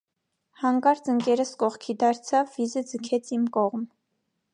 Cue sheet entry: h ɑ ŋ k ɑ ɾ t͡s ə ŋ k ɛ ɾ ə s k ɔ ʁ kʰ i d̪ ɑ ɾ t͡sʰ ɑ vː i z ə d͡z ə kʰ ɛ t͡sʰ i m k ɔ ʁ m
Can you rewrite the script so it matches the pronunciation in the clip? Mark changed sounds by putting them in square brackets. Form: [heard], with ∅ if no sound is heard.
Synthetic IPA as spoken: h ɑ ŋ k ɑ ɾ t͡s ə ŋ k ɛ ɾ ə s k ɔ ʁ kʰ i d̪ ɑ ɾ t͡sʰ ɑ vː i z ə d͡z ə kʰ ɛ t͡sʰ i m k ɔ ʁ m